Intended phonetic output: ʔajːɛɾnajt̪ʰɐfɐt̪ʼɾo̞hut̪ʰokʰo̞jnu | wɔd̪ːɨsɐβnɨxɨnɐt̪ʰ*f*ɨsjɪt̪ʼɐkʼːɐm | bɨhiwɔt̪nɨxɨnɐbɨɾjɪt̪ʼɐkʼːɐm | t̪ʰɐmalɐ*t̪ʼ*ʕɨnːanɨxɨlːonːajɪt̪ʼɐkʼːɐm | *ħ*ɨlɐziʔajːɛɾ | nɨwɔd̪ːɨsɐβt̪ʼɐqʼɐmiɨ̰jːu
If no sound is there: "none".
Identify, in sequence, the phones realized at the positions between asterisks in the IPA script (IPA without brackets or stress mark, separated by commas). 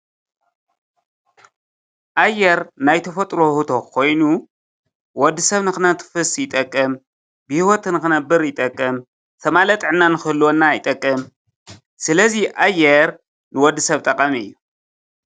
f, t̪ʼ, s